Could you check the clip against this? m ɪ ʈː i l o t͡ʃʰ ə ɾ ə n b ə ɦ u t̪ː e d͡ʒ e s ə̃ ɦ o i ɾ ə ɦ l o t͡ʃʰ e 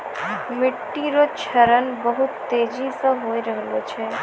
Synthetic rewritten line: m ɪ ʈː i ɾ o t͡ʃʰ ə ɾ ə n b ə ɦ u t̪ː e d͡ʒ i s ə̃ ɦ o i ɾ ə ɦ l o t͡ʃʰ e